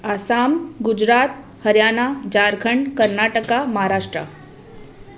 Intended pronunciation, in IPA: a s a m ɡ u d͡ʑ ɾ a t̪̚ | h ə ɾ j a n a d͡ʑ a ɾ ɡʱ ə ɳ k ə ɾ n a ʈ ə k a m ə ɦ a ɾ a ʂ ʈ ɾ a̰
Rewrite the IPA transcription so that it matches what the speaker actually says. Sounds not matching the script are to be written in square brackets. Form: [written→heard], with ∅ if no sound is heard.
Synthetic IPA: a s a m ɡ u d͡ʑ ɾ a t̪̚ | h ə ɾ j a n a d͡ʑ a ɾ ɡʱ ə ɳ k ə ɾ n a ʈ ə k a m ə ɦ a ɾ a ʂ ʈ ɾ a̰